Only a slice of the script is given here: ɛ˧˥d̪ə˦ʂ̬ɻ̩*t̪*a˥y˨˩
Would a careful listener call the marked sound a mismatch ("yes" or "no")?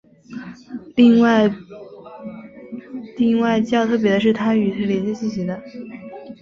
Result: yes